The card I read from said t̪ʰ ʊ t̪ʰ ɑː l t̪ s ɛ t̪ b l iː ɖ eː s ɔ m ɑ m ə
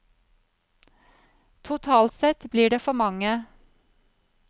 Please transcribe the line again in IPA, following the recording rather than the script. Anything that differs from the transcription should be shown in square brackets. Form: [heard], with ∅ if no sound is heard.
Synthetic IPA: t̪ʰ ʊ t̪ʰ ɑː l t̪ s ɛ t̪ b l iː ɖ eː [f] ɔ m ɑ [ŋ] ə